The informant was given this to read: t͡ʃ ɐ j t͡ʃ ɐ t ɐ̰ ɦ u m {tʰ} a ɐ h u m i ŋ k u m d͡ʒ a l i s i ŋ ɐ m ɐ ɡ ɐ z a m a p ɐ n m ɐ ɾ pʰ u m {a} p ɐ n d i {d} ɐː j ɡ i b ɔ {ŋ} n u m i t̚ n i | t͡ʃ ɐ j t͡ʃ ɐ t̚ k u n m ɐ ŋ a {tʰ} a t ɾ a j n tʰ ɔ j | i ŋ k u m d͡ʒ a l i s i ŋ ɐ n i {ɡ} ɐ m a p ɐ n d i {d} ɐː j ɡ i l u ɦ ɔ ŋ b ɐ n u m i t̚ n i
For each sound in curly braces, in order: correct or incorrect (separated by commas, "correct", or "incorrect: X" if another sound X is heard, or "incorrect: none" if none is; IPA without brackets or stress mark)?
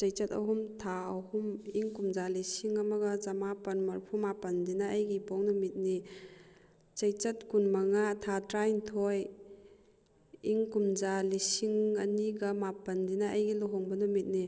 correct, correct, incorrect: n, correct, correct, correct, incorrect: n